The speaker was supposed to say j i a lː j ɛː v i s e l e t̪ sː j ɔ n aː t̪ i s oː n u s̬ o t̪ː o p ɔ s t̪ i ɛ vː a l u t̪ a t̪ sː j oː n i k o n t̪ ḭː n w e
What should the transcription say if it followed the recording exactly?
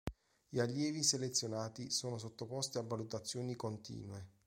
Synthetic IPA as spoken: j i a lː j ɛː v i s e l e t̪ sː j o n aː t̪ i s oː n o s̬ o t̪ː o p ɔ s t̪ i a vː a l u t̪ a t̪ sː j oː n i k o n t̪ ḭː n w e